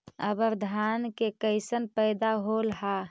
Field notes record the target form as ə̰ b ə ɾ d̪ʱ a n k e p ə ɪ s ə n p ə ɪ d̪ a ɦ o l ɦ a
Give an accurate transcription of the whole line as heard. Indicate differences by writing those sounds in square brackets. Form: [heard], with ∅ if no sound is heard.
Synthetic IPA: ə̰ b ə ɾ d̪ʱ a n k e [k] ə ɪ s ə n p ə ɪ d̪ a ɦ o l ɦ a